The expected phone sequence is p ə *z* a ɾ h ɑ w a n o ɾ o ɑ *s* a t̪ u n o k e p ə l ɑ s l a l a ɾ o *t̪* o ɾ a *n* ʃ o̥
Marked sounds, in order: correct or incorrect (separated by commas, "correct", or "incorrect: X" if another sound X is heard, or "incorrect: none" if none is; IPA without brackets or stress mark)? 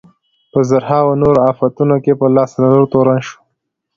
correct, incorrect: f, correct, correct